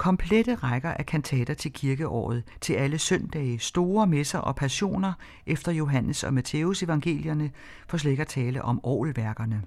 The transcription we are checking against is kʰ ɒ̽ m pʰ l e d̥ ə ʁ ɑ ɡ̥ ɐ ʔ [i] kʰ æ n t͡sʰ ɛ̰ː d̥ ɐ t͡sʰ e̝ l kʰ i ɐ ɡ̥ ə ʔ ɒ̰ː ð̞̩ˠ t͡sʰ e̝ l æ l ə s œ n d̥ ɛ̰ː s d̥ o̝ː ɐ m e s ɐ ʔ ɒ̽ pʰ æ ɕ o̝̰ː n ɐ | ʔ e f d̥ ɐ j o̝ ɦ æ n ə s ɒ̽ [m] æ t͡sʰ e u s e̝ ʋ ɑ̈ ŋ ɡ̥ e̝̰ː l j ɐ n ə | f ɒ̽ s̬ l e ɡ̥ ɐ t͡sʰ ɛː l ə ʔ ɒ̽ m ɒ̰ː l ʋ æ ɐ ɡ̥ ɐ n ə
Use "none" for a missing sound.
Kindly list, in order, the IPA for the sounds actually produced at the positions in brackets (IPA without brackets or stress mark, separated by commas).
æ, m